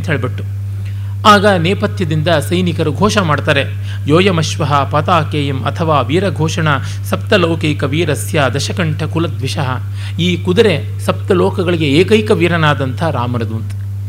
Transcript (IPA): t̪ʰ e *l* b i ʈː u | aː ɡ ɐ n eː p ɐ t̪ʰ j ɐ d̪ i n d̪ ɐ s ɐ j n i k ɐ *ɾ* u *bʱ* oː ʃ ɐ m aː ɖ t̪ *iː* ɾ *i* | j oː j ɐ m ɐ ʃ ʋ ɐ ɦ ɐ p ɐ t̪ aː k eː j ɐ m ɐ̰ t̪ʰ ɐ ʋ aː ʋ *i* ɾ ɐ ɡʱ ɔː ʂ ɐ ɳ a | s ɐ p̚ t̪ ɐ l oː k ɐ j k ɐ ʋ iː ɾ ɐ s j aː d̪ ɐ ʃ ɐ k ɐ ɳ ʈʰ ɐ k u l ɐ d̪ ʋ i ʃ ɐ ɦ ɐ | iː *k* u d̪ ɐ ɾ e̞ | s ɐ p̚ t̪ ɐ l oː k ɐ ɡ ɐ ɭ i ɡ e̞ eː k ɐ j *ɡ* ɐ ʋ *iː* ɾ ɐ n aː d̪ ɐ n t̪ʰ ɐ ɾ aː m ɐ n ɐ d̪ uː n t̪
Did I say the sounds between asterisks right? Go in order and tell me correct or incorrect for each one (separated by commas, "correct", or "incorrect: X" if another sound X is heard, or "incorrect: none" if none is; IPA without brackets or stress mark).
incorrect: ɭ, correct, incorrect: ɡʱ, incorrect: aː, incorrect: e, incorrect: iː, correct, incorrect: k, correct